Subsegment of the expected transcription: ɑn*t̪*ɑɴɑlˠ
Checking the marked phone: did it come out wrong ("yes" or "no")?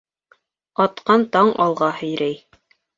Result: no